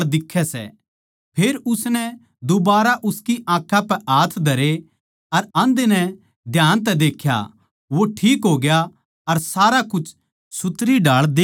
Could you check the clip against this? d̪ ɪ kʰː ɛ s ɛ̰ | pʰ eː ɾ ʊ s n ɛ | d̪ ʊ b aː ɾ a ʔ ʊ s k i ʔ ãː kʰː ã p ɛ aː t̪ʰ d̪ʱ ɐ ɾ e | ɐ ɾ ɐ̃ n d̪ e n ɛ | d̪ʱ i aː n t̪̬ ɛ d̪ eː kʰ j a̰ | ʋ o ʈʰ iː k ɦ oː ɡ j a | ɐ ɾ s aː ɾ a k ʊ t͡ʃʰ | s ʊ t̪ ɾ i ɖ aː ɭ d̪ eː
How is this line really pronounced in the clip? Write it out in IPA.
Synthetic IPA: d̪ ɪ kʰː ɛ s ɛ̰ | pʰ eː ɾ ʊ s n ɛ | d̪ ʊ b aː ɾ a ʔ ʊ s k i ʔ ãː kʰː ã p ɛ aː t̪ʰ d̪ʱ ɐ ɾ e | ɐ ɾ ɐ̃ n d̪ e n ɛ | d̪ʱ j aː n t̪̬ ɛ d̪ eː kʰ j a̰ | ʋ o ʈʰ iː k ɦ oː ɡ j a | ɐ ɾ s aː ɾ a k ʊ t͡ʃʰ | s ʊ t̪ ɾ i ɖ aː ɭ d̪ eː